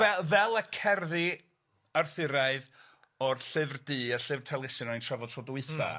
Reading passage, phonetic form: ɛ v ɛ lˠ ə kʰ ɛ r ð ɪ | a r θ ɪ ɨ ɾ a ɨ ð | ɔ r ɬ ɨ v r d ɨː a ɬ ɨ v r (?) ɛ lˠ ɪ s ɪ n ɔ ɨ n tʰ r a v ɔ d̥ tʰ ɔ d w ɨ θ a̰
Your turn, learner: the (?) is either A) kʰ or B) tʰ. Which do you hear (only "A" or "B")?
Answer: B